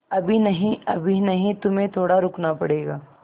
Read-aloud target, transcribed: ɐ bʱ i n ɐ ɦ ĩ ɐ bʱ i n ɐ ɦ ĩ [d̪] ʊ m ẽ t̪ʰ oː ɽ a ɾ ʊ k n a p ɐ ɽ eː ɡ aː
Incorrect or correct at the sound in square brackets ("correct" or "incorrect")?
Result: incorrect